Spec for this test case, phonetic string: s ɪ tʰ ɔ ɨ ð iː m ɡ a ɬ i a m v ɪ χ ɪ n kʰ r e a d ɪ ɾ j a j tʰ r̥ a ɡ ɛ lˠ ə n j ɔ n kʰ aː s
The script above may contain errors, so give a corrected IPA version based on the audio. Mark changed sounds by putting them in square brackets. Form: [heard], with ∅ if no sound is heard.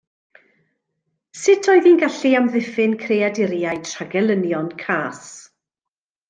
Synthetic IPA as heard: s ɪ tʰ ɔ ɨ ð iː [n] ɡ a ɬ i a m [ð] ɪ [f] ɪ n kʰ r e a d ɪ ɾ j a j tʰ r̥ a ɡ ɛ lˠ ə n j ɔ n kʰ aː s